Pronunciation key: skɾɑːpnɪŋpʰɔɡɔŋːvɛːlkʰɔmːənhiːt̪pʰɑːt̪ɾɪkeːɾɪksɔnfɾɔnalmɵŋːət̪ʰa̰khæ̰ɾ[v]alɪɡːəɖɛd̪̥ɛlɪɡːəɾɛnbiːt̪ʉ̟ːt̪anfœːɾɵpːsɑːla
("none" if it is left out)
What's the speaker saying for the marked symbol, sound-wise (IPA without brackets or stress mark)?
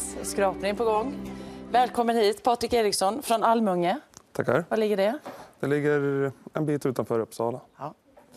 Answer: v